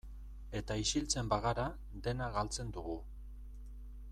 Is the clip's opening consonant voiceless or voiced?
voiceless